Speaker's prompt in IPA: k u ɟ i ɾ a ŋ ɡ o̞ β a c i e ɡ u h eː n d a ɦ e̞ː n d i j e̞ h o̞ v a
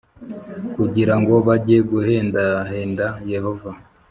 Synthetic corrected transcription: k u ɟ i ɾ a ŋ ɡ o̞ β a ɟ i e ɡ u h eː n d a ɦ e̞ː n d a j e̞ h o̞ v a